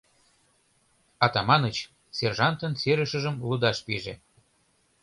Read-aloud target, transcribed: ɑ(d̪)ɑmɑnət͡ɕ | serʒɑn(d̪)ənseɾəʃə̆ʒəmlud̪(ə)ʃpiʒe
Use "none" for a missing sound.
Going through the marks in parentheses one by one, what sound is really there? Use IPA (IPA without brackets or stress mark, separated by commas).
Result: t̪, t̪, ɑ